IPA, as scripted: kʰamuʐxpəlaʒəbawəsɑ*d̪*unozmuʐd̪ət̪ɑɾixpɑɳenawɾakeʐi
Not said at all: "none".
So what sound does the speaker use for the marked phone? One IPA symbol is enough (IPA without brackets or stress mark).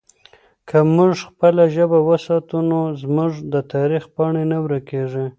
t̪